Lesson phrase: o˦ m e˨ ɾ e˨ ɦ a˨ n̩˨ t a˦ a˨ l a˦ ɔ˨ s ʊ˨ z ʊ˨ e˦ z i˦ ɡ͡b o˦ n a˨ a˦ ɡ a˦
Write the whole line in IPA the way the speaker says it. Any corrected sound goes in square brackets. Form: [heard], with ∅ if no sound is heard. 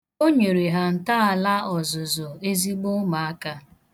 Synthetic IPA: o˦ [ɲ] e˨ ɾ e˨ ɦ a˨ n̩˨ t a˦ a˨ l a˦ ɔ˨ [z] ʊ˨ z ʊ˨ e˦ z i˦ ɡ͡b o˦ [m] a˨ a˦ [k] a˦

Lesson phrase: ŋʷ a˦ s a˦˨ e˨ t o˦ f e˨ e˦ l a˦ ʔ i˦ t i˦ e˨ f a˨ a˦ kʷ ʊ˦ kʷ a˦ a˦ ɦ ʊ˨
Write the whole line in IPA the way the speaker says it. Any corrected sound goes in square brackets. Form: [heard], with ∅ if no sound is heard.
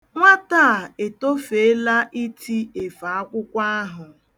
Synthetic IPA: ŋʷ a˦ [t] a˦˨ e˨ t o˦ f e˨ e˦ l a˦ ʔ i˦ t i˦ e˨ f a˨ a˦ kʷ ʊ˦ kʷ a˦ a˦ ɦ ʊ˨

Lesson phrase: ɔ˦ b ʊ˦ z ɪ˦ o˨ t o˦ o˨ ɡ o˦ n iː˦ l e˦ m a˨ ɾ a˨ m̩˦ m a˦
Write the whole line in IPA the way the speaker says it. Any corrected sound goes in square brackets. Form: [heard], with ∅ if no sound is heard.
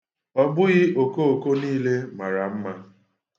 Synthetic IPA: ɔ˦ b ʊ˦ [ɣ] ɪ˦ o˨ [k] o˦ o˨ [k] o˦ n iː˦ l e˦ m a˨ ɾ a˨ m̩˦ m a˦

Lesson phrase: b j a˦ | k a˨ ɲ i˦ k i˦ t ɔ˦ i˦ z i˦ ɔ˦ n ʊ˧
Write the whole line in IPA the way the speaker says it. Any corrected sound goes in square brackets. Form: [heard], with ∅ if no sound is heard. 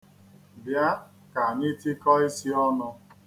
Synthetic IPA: b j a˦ | k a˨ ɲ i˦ [t] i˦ [k] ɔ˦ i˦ [s] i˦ ɔ˦ n ʊ˧

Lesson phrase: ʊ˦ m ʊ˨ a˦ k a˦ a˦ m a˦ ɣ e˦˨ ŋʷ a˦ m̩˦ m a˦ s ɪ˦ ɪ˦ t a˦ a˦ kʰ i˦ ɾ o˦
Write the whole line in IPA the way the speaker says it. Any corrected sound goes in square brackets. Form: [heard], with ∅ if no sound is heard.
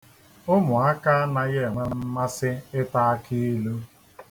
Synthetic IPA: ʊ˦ m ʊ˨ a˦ k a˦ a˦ [n] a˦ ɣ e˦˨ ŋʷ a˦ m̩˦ m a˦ s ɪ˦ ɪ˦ t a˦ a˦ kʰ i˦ [l] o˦

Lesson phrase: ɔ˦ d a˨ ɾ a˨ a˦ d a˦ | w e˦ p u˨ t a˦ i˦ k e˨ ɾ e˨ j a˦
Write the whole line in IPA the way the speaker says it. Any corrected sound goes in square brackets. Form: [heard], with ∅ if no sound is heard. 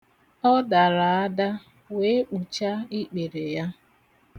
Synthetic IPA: ɔ˦ d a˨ ɾ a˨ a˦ d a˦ | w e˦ [k͡p] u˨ [t͡ʃ] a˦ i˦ [k͡p] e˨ ɾ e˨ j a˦

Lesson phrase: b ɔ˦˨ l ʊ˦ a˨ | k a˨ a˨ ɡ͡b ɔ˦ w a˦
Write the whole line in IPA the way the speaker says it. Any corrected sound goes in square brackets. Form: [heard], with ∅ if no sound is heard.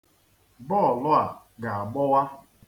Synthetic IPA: b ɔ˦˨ l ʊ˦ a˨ | [ɡ] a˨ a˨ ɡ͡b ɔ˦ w a˦

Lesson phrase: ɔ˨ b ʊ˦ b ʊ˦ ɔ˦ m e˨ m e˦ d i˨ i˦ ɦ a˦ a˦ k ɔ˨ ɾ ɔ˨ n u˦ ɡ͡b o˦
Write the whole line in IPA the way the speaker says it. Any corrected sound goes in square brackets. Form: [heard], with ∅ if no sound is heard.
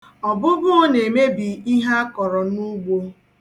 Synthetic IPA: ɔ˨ b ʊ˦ b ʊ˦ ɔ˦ [n] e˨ m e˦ [b] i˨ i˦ ɦ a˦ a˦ k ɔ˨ ɾ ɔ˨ n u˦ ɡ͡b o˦

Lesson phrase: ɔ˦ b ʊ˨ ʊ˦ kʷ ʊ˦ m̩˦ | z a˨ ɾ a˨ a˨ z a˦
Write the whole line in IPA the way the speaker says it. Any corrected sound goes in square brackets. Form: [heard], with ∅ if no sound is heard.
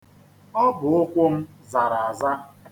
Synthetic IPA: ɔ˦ b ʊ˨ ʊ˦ kʷ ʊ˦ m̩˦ | z a˨ ɾ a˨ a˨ z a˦

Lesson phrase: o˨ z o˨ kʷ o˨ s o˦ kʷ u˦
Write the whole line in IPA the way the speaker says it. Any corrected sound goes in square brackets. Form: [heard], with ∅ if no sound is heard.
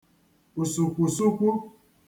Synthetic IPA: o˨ [s] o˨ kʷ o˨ s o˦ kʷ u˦

